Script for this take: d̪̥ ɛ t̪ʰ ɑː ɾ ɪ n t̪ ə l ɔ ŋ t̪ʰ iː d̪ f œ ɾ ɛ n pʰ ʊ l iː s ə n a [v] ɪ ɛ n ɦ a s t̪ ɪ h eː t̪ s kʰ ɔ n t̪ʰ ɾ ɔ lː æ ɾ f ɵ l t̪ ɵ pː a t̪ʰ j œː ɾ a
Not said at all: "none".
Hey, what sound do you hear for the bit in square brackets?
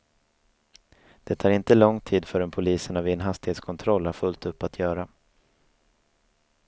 v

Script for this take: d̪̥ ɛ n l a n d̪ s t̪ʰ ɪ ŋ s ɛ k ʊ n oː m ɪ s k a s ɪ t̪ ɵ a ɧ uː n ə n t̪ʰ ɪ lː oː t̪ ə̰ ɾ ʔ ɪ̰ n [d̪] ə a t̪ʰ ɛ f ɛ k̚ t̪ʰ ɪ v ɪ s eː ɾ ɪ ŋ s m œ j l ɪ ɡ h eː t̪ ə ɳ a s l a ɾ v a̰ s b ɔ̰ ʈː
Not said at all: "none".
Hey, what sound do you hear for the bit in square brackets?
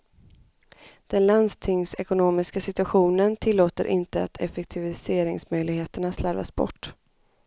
t̪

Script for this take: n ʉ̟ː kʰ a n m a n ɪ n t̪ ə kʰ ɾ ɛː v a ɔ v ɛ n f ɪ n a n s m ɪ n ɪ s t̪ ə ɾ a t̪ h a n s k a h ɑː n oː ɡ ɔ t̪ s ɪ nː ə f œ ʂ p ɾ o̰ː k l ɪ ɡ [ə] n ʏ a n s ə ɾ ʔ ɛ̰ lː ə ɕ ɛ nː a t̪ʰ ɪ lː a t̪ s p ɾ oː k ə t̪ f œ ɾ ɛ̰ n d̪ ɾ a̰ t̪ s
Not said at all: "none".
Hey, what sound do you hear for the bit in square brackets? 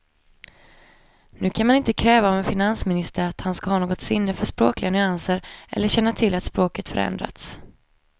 a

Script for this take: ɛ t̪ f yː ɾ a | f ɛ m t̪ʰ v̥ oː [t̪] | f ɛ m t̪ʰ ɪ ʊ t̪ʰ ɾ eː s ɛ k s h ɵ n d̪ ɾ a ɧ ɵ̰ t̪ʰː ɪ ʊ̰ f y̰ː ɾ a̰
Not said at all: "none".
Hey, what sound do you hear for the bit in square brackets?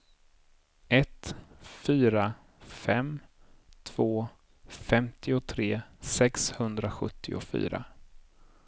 none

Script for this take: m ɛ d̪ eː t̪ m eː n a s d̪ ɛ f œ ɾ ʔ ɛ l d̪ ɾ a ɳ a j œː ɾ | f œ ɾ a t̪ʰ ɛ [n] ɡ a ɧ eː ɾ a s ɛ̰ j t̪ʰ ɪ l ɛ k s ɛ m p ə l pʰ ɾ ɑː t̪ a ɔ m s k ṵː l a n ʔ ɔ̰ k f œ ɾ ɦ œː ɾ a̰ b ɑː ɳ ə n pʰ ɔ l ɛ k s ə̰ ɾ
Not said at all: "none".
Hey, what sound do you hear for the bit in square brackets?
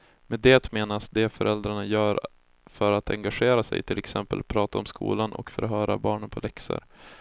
ŋ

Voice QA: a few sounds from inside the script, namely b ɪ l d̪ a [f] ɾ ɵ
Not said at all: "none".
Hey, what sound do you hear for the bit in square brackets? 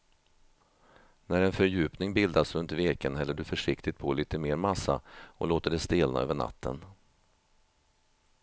s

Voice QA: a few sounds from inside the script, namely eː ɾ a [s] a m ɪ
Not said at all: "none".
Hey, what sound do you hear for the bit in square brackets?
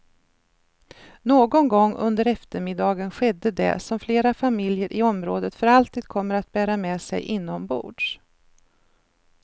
f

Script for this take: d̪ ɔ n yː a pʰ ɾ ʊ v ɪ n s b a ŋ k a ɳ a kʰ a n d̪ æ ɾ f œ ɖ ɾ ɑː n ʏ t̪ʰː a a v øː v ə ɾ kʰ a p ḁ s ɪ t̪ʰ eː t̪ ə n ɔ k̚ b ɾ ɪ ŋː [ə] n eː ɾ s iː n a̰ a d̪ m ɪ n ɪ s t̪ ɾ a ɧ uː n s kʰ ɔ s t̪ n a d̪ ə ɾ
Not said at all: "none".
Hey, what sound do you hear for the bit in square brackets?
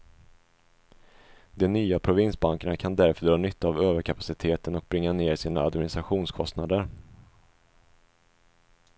a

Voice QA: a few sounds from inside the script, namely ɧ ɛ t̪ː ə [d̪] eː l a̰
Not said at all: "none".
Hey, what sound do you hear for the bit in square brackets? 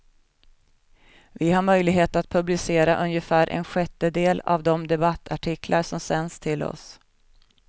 d̪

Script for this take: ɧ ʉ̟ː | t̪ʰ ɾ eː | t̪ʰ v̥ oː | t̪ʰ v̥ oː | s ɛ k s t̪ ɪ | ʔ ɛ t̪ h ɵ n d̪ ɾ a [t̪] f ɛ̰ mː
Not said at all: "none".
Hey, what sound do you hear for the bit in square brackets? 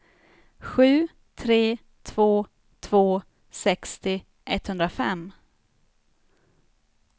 none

